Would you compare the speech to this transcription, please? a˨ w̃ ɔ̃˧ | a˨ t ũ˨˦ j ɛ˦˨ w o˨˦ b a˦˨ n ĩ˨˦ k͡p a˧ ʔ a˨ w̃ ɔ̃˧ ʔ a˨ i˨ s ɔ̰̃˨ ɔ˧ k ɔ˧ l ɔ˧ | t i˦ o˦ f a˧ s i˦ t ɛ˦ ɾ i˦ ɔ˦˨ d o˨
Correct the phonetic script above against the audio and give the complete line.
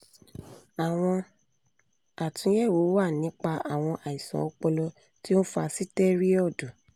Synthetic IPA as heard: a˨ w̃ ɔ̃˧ | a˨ t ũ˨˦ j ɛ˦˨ w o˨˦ w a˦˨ n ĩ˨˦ k͡p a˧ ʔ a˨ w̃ ɔ̃˧ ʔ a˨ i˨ s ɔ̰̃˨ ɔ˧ k͡p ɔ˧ l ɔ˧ | t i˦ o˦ f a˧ s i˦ t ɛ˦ ɾ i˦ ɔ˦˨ d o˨